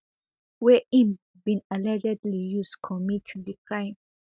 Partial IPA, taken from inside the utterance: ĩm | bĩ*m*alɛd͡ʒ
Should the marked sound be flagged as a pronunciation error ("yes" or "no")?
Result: yes